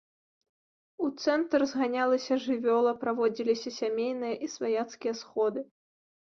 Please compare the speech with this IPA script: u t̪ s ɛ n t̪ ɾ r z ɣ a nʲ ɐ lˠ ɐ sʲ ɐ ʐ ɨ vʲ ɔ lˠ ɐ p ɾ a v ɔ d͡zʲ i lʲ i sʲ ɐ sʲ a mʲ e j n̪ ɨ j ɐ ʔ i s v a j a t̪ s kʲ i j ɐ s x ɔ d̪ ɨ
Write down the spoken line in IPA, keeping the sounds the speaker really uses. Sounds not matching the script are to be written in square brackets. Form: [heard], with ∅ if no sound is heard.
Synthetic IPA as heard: u t̪ s ɛ n t̪ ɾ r z ɣ a nʲ [a] lˠ ɐ sʲ ɐ ʐ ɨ vʲ ɔ lˠ ɐ p ɾ a v ɔ d͡zʲ i lʲ i sʲ ɐ sʲ a mʲ e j n̪ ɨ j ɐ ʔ i s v a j a t̪ s kʲ i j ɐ s x ɔ d̪ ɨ